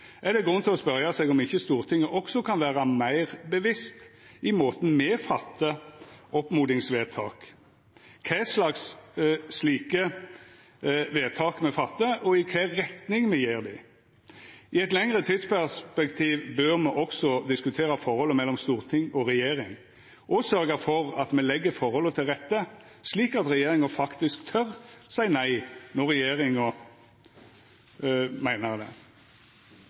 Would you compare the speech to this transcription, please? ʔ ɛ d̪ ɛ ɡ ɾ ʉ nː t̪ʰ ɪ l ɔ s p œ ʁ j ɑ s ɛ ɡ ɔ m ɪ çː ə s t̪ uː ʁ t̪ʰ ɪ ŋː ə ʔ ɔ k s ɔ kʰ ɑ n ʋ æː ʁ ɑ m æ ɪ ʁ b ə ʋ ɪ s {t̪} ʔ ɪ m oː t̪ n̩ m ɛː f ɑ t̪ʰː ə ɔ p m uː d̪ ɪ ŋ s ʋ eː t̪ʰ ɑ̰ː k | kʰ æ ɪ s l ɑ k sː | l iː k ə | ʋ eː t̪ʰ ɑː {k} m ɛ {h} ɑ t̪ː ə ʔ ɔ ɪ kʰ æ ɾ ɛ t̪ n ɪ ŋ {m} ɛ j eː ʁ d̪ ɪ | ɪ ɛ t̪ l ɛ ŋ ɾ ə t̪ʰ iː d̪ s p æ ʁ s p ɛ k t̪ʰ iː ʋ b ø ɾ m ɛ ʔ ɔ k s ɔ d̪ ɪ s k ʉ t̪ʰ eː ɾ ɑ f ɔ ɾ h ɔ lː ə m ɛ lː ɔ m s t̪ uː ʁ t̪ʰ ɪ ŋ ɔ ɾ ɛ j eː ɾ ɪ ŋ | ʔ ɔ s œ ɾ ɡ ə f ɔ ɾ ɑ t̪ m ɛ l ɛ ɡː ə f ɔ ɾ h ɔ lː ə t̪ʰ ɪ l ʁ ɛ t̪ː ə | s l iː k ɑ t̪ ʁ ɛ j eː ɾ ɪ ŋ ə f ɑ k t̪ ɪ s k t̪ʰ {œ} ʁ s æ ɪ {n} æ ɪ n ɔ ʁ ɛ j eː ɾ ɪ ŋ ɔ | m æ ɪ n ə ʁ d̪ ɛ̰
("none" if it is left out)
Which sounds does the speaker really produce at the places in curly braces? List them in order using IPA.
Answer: t̪, k, f, m, œ, n

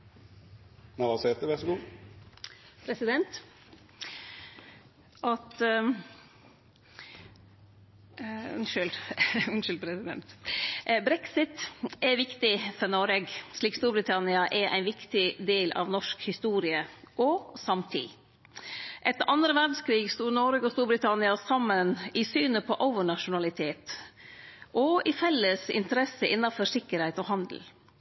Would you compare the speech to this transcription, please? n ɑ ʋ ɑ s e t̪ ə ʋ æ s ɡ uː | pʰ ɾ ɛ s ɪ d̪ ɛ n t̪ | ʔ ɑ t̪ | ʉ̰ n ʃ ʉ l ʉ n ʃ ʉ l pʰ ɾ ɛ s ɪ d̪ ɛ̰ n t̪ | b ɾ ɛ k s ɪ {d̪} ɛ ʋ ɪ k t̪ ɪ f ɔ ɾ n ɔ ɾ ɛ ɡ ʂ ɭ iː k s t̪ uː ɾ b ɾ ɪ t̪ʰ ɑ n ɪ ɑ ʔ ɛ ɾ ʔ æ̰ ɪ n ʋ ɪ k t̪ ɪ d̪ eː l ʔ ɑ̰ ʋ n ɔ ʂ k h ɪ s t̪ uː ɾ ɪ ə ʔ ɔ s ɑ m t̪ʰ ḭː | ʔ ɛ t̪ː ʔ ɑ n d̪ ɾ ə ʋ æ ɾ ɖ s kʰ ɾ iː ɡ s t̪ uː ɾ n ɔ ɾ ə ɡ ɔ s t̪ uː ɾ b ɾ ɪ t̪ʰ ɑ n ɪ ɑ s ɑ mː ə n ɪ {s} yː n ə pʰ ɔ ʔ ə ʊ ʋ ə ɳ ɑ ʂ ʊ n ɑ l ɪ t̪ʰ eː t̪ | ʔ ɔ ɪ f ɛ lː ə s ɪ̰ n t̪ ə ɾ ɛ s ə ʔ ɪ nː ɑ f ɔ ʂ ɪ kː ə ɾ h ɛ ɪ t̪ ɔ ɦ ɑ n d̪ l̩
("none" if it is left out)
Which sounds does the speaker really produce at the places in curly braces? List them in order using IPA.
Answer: t̪, s

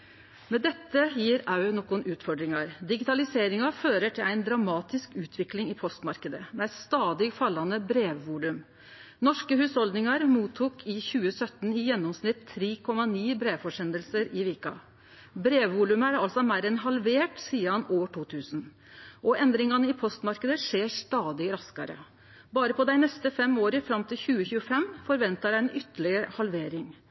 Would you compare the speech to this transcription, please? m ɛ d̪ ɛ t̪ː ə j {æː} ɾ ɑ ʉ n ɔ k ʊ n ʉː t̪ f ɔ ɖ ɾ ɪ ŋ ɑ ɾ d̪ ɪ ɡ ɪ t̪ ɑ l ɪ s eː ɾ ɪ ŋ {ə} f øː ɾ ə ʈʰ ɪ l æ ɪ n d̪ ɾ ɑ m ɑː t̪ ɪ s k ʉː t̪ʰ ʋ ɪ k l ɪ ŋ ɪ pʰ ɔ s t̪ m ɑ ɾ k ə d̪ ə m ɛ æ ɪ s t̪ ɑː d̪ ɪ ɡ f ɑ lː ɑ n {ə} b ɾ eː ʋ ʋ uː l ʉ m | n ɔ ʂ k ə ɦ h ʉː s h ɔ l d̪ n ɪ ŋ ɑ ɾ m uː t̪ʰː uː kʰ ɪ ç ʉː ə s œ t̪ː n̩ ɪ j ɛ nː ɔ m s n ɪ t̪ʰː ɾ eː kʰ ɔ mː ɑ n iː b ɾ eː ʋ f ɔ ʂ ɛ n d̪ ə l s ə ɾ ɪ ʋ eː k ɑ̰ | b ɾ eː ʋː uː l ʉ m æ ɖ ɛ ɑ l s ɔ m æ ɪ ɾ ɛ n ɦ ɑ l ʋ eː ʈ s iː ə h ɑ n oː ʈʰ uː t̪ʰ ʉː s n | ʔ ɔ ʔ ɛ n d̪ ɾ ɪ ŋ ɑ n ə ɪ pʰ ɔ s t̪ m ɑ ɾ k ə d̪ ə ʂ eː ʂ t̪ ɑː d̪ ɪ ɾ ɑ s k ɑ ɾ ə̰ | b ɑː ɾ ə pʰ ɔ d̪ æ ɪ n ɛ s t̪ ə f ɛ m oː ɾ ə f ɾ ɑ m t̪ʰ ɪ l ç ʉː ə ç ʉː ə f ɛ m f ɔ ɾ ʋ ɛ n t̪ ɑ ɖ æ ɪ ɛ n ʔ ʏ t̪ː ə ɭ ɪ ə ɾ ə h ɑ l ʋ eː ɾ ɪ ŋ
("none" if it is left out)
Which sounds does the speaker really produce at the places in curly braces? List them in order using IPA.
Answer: iː, ɑ, ə

